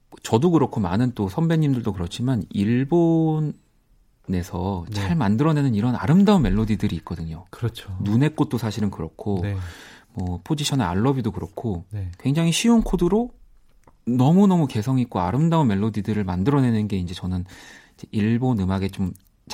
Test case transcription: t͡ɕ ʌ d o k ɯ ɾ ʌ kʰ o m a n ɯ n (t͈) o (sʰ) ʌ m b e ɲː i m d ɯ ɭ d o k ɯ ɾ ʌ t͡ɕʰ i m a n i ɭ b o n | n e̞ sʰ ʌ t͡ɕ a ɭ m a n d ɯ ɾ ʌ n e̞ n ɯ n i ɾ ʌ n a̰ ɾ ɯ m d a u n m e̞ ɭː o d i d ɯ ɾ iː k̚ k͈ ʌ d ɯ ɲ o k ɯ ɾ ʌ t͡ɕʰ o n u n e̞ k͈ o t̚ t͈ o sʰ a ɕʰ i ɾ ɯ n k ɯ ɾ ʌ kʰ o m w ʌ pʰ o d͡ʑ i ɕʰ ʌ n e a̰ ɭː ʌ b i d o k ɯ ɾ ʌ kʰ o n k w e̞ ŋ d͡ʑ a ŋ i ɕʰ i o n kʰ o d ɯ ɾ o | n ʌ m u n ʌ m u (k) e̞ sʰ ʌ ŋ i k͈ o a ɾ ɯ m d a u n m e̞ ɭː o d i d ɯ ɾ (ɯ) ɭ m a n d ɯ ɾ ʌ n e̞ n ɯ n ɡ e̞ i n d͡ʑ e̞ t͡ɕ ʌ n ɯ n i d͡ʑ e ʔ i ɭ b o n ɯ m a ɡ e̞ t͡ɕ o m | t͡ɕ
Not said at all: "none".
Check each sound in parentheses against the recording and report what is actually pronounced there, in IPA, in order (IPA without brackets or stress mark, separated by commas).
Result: t͈, sʰ, k, ɯ